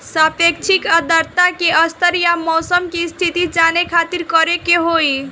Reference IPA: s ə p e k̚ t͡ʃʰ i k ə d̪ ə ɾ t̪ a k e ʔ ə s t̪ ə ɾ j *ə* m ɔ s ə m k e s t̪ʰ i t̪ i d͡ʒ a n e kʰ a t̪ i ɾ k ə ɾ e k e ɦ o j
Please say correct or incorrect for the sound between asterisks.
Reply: incorrect